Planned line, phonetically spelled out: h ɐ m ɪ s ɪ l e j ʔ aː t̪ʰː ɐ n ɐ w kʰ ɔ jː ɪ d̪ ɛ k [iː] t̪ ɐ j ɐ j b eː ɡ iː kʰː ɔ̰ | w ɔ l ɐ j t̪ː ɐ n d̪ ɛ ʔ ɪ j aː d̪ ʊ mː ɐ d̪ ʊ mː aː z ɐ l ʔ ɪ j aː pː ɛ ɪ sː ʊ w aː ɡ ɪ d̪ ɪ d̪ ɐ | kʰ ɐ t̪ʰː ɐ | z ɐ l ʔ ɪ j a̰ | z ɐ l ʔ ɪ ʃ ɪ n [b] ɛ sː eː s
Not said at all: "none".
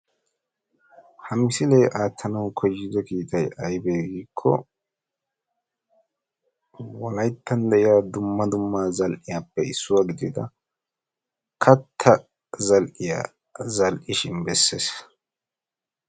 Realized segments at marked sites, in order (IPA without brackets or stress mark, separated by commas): iː, b